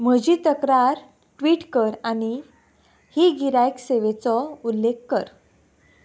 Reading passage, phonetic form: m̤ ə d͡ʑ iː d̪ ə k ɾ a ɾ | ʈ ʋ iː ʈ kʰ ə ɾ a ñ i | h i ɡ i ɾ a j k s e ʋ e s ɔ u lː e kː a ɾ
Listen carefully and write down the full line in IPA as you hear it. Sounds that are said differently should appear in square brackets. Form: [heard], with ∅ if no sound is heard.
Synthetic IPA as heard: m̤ ə d͡ʑ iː [t̪] ə k ɾ a ɾ | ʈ ʋ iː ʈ [k] ə ɾ a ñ i | h i ɡ i ɾ a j k s e ʋ e [t͡s] ɔ u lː e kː [ə] ɾ